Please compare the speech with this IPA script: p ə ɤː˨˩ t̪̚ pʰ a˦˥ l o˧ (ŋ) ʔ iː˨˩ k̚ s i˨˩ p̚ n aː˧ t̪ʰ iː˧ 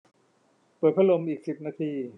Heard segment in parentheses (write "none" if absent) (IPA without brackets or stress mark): m